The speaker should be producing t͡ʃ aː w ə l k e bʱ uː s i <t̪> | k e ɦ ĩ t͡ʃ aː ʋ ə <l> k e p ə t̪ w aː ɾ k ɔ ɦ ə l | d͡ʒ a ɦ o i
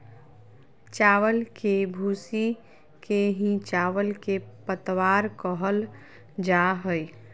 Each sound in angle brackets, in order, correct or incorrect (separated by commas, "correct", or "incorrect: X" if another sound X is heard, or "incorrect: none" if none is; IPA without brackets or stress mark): incorrect: none, correct